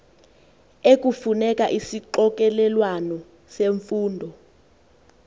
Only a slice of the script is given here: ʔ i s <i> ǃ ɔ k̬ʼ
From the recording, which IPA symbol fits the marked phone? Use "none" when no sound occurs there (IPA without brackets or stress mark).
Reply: i